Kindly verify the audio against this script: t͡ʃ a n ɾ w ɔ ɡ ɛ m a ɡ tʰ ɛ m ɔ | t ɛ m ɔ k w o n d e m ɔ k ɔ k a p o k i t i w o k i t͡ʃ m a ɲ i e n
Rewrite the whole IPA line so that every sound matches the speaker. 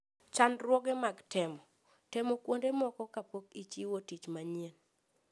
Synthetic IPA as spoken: t͡ʃ a n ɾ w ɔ ɡ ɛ m a ɡ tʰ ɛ m ɔ | t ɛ m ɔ k w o n d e m ɔ k ɔ k a p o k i t͡ʃ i w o t i t͡ʃ m a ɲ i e n